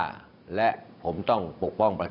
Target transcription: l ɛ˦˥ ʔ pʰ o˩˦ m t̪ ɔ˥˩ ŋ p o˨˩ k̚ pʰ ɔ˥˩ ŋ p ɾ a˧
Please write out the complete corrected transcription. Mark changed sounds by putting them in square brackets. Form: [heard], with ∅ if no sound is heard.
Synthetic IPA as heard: l ɛ˦˥ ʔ pʰ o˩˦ m t̪ ɔ˥˩ ŋ p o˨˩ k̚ [p] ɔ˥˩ ŋ p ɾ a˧